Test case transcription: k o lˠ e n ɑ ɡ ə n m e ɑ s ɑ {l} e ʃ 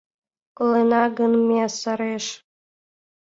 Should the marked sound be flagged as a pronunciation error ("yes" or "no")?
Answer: yes